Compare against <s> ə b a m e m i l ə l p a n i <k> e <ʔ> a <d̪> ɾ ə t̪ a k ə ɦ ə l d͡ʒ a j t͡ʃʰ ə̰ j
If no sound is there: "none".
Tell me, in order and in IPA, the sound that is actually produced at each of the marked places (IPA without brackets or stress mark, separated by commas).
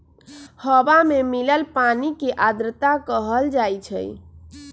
h, k, ʔ, d̪